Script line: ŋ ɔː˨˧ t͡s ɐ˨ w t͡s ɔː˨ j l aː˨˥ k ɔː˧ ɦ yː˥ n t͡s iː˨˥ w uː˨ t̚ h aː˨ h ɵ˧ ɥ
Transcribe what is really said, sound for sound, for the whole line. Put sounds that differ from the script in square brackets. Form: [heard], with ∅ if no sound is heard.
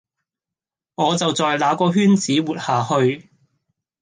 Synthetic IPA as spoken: ŋ ɔː˨˧ t͡s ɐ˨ w t͡s ɔː˨ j l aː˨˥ k ɔː˧ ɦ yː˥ n t͡s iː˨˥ w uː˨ t̚ h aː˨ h ɵ˧ ɥ